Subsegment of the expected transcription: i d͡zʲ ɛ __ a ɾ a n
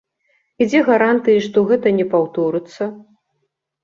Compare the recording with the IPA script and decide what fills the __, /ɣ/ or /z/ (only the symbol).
ɣ